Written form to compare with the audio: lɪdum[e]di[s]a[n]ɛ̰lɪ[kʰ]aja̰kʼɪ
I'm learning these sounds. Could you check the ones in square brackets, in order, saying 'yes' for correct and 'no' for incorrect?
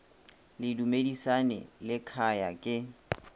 yes, yes, yes, yes

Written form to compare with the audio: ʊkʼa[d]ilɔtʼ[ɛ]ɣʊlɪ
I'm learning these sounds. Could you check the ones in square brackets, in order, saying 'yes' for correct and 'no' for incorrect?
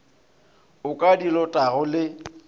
yes, no

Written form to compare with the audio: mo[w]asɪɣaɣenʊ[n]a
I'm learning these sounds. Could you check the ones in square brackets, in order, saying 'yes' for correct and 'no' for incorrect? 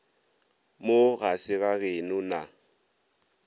no, yes

